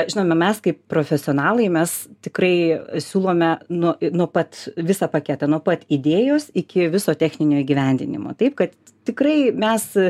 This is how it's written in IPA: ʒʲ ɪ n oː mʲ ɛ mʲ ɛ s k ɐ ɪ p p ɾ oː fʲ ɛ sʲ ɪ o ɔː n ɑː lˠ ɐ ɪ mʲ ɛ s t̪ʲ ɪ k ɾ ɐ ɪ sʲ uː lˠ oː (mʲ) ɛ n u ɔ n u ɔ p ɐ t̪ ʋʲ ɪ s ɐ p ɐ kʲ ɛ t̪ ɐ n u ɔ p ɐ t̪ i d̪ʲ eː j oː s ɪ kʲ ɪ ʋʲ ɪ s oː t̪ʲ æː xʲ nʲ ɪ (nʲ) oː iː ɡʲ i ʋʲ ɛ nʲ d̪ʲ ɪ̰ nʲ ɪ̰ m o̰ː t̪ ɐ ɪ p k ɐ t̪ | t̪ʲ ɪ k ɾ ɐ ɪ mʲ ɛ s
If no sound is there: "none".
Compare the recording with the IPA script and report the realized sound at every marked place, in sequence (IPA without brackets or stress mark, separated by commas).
mʲ, nʲ